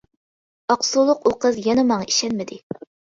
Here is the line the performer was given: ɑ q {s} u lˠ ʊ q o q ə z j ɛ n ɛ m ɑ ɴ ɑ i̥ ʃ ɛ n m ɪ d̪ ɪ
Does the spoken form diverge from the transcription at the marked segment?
no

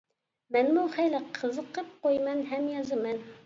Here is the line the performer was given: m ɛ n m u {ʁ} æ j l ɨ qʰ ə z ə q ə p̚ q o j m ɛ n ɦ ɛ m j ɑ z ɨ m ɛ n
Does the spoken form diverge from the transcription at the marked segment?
yes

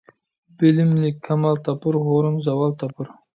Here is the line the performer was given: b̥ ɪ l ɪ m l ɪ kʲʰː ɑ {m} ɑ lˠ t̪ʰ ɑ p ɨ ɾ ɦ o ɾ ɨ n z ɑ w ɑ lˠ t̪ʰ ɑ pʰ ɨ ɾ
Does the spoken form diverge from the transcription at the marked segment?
no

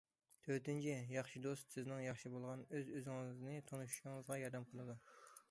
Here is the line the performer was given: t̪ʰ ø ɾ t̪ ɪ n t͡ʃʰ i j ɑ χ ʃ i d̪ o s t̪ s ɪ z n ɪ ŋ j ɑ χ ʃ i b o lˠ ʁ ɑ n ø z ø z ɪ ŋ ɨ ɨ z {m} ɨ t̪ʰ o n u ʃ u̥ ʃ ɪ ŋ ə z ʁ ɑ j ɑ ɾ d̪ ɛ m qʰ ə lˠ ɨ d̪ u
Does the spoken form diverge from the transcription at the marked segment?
yes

